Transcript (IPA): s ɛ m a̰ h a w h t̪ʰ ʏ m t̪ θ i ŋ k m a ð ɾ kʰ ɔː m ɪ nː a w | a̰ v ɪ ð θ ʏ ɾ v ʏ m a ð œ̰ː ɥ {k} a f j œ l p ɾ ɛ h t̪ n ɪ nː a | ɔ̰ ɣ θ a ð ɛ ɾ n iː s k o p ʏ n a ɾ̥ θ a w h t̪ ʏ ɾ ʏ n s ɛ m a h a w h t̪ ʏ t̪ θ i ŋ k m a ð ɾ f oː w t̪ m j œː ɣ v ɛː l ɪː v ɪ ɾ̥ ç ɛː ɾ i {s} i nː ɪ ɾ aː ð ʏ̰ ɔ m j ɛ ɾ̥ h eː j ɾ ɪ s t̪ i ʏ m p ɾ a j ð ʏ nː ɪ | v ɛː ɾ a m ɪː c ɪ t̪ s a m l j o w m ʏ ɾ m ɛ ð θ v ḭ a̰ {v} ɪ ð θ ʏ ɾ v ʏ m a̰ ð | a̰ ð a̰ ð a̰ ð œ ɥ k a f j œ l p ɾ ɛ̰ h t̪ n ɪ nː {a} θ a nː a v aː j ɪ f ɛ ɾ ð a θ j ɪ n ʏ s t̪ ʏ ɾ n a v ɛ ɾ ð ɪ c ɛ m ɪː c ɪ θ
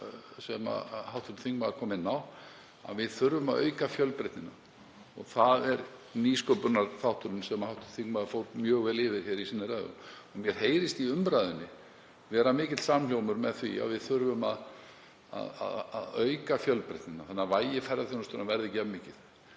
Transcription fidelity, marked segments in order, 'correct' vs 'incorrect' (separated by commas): correct, correct, correct, correct